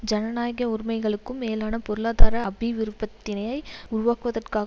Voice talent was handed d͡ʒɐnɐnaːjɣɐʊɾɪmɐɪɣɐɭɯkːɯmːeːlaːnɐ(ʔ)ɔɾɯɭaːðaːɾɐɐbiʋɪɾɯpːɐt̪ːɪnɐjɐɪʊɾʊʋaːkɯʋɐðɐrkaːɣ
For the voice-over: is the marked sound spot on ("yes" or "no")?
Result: no